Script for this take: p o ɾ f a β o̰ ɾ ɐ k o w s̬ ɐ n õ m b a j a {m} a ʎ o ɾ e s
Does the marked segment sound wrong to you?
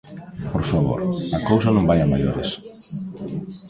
no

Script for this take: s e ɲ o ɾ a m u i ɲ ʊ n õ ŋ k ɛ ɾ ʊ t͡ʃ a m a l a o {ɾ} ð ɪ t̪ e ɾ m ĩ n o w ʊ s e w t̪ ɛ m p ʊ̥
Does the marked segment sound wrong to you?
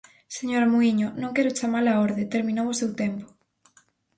no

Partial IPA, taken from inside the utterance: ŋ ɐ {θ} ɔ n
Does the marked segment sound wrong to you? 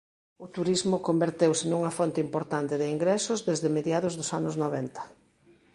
yes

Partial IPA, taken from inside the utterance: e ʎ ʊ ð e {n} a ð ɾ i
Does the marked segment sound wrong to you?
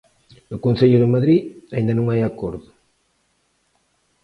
yes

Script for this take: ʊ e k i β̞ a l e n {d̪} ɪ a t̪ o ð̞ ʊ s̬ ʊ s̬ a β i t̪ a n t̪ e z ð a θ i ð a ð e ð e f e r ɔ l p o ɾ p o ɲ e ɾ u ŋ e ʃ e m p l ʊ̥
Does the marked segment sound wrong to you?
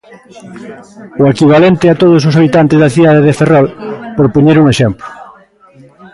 yes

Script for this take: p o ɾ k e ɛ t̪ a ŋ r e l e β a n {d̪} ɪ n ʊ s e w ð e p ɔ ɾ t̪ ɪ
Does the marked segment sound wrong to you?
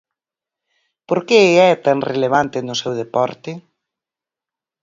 yes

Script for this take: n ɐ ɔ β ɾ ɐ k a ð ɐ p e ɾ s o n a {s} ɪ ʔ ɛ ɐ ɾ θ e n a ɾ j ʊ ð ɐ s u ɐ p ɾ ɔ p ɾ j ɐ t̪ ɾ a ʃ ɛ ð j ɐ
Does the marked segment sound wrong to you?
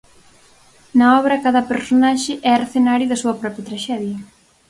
yes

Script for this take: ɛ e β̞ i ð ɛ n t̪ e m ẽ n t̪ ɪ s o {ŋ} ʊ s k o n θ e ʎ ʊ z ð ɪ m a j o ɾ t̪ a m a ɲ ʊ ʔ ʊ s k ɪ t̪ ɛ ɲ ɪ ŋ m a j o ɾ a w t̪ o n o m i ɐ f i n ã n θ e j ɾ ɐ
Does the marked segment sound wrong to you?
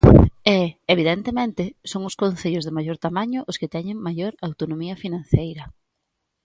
no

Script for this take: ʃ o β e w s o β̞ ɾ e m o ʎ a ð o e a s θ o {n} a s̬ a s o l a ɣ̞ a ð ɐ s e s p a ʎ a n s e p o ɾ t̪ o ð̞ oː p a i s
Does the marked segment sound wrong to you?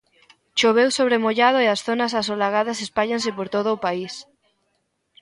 no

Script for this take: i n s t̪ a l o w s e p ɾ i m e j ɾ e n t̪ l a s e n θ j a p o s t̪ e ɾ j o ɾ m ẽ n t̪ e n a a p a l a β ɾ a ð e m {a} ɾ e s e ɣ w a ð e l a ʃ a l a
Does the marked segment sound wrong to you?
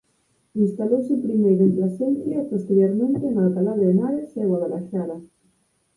no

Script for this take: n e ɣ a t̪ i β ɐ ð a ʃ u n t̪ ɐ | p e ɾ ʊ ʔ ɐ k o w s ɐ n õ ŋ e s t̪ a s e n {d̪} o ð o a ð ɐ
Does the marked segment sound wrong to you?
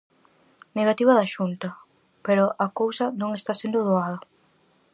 no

